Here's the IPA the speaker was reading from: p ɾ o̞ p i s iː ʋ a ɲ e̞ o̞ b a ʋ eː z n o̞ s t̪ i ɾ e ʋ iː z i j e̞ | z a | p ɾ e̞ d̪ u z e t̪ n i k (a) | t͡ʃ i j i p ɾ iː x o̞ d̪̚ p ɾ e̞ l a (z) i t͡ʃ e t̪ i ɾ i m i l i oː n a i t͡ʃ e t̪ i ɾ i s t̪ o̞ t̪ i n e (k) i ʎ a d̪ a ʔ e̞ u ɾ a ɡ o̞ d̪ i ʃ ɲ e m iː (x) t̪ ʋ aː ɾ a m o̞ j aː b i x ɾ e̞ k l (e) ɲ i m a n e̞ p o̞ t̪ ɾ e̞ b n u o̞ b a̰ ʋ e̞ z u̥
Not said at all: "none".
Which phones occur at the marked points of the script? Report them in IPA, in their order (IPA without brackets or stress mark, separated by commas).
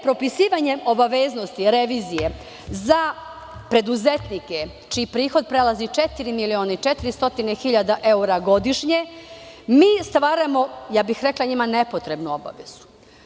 e, z, x, s, a